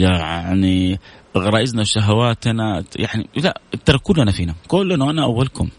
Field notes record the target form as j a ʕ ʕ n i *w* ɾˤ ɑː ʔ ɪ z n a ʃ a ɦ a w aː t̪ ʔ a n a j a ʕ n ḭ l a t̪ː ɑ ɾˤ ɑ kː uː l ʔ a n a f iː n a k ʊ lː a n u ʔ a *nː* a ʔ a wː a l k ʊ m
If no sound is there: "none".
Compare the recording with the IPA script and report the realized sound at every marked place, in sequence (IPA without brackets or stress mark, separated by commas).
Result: ɣ, n